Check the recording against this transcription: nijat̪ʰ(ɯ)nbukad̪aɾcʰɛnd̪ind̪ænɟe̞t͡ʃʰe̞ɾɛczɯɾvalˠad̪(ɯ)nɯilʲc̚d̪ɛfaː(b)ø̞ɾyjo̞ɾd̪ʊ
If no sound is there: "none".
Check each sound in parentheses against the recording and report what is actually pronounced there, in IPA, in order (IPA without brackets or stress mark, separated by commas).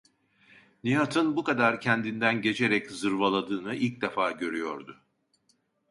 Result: ɯ, ɯː, ɟ